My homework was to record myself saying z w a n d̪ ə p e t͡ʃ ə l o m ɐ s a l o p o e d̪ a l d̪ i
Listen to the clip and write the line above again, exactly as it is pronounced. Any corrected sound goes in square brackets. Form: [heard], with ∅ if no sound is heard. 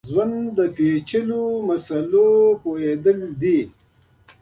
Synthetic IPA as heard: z w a n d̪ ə p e t͡ʃ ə l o m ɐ s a l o p o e d̪ [ə] l d̪ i